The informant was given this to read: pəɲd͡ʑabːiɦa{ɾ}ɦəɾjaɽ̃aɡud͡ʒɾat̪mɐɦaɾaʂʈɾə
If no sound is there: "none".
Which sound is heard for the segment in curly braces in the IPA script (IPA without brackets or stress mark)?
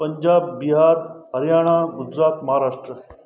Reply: ɾ